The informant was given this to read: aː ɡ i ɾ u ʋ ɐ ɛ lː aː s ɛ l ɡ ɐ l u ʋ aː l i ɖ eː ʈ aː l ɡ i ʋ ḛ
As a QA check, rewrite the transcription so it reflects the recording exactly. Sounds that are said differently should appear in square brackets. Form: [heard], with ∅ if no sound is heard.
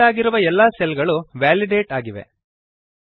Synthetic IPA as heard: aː ɡ i ɾ u ʋ ɐ ɛ lː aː s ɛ l ɡ ɐ [ɭ] u ʋ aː l i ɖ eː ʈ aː [∅] ɡ i ʋ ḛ

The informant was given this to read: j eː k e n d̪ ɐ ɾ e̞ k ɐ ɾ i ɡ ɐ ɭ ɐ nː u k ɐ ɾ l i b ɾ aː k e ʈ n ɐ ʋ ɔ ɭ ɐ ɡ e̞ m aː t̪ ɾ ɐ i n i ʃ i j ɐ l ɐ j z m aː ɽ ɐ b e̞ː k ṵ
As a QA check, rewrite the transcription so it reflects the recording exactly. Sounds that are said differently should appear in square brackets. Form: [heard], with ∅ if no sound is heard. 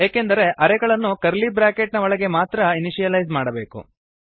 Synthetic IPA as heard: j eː k e n d̪ ɐ ɾ e̞ [ʔ] ɐ ɾ [ɛ] ɡ ɐ ɭ ɐ nː u k ɐ ɾ l i b ɾ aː k e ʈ n ɐ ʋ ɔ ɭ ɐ ɡ e̞ m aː t̪ ɾ ɐ i n i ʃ i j ɐ l ɐ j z m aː ɽ ɐ b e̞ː k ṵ

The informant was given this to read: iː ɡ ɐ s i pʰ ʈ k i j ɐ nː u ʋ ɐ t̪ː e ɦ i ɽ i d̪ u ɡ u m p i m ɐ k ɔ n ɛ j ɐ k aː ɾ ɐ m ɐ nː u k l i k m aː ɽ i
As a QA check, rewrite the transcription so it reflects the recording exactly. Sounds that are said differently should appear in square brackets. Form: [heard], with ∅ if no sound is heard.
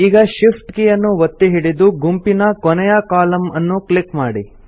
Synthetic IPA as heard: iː ɡ ɐ [ʃ] i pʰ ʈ k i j ɐ nː u ʋ ɐ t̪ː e ɦ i ɽ i d̪ u ɡ u m p i [n] ɐ k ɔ n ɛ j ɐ k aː [l] ɐ m ɐ nː u k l i k m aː ɽ i

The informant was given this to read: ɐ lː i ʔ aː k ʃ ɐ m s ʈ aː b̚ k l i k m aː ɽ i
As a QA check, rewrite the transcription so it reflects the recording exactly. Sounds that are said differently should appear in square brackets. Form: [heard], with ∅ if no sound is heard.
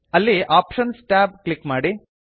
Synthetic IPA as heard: ɐ lː i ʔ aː [p] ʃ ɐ [n] s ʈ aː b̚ k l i k m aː ɽ i

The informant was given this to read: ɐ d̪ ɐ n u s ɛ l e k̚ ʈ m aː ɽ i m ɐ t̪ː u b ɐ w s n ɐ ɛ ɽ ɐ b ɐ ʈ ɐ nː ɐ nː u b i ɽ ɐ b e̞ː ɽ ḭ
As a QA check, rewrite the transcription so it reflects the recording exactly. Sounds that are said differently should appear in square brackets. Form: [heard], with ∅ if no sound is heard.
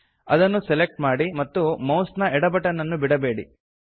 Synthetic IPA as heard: ɐ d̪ ɐ [nː] u s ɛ l e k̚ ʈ m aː ɽ i m ɐ t̪ː u [m] ɐ w s n ɐ ɛ ɽ ɐ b ɐ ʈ ɐ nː ɐ nː u b i ɽ ɐ b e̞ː ɽ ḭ

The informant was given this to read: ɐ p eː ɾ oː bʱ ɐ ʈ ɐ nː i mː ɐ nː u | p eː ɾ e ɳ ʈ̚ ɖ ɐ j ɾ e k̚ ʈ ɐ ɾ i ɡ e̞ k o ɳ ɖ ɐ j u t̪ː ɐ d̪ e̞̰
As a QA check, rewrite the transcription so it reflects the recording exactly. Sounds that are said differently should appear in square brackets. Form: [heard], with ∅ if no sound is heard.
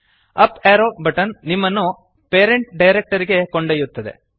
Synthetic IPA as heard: ɐ p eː ɾ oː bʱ ɐ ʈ ɐ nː i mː ɐ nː u | p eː ɾ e ɳ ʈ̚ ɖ ɐ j ɾ e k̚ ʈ ɐ ɾ i ɡ e̞ k o ɳ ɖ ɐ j u t̪ː ɐ d̪ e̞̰

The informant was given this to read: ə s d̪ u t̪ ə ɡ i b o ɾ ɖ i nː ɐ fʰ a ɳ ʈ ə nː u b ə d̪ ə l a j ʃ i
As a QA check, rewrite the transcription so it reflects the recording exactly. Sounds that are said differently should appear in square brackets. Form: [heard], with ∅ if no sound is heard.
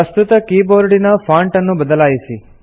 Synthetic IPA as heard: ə s [t̪] u t̪ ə [k] i b o ɾ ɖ i [n] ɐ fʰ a ɳ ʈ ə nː u b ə d̪ ə l a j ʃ i

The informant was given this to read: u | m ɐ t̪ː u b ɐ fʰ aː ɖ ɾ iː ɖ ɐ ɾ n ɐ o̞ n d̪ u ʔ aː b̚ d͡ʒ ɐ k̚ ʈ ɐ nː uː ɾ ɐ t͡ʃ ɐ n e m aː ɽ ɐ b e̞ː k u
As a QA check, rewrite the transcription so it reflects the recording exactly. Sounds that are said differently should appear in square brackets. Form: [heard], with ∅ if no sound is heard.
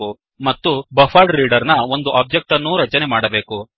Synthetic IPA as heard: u | m ɐ t̪ː u b ɐ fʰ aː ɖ ɾ iː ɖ ɐ ɾ n ɐ o̞ n d̪ u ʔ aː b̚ d͡ʒ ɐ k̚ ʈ ɐ nː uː ɾ ɐ t͡ʃ ɐ n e m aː ɽ ɐ b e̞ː k u

